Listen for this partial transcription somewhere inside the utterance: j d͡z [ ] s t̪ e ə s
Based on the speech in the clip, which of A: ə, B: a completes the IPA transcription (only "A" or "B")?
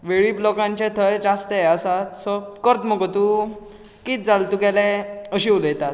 B